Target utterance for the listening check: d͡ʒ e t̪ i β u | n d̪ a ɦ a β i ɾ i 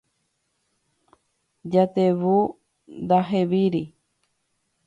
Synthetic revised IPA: d͡ʒ a t̪ e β u | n d̪ a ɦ e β i ɾ i